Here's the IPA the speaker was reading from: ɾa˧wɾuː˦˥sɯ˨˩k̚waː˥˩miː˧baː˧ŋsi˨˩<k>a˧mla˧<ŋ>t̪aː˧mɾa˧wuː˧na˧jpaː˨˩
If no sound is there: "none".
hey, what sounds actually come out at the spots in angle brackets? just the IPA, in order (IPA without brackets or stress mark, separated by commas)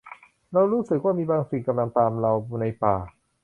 k, ŋ